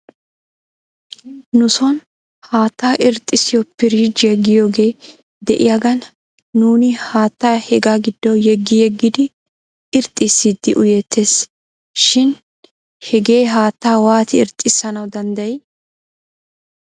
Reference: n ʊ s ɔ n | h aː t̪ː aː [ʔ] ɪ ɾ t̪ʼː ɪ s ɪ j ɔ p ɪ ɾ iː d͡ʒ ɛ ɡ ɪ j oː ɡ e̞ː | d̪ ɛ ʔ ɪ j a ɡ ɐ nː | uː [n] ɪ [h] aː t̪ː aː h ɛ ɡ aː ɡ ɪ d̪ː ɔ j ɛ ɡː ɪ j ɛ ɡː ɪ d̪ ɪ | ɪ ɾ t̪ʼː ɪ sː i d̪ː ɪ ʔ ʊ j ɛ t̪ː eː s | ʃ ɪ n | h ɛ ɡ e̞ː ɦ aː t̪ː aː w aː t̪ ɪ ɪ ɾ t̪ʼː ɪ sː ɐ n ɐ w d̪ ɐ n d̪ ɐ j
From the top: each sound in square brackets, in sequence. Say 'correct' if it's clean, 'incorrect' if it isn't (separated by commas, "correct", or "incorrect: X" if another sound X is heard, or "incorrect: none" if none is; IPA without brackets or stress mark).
correct, correct, correct